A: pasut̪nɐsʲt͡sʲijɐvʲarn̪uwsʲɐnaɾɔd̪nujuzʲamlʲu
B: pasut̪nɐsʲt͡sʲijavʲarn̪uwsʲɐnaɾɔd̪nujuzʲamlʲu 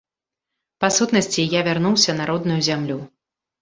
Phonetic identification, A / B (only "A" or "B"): B